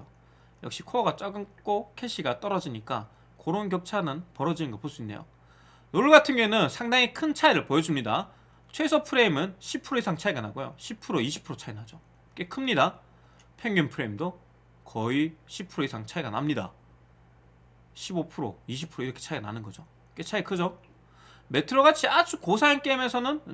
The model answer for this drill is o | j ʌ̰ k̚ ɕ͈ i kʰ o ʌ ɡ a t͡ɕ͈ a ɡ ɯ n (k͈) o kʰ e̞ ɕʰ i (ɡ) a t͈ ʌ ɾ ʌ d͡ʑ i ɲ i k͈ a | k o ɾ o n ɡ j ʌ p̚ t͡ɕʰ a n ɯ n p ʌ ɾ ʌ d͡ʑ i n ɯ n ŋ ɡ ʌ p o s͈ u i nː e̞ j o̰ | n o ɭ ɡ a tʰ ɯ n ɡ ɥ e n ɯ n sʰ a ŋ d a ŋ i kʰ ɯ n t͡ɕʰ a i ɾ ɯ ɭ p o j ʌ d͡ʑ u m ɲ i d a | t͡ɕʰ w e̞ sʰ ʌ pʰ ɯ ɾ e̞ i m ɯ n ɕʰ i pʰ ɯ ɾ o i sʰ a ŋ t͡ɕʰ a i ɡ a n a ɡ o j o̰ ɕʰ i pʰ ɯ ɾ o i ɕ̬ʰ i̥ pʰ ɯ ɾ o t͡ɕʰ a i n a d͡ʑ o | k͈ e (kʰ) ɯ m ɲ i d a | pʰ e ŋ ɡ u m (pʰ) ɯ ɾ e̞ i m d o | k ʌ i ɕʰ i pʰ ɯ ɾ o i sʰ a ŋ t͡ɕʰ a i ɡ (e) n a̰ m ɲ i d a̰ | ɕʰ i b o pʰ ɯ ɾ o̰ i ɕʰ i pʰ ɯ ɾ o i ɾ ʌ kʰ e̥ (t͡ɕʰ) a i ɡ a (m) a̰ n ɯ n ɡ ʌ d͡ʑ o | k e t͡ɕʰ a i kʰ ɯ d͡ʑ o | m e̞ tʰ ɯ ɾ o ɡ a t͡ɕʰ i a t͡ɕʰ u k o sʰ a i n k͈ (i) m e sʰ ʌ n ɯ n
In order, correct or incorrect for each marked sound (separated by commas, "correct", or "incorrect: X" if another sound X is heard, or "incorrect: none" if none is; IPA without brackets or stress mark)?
correct, correct, correct, correct, incorrect: a, correct, incorrect: n, incorrect: e